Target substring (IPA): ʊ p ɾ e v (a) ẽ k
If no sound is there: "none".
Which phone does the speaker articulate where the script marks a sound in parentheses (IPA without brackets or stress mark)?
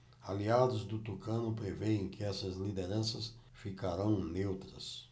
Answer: e